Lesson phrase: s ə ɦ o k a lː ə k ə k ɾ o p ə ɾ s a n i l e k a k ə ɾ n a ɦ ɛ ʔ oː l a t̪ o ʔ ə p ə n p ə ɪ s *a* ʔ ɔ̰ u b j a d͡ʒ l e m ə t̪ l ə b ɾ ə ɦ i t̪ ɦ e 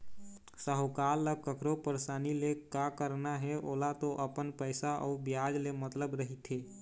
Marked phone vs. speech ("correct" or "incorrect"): correct